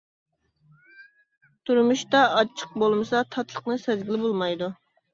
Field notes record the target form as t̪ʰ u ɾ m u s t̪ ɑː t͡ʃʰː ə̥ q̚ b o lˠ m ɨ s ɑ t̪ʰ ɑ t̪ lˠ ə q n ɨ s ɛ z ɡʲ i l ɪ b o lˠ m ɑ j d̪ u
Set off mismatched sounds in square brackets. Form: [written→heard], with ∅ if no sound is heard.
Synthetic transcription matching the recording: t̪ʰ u ɾ m u [s→ʃ] t̪ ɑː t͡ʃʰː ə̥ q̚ b o lˠ m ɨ s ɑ t̪ʰ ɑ t̪ lˠ ə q n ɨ s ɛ z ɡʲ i l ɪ b o lˠ m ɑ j d̪ u